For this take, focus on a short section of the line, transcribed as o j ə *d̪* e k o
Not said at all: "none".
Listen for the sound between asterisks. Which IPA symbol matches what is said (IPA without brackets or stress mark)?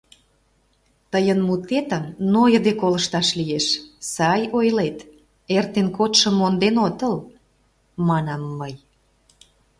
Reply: d̪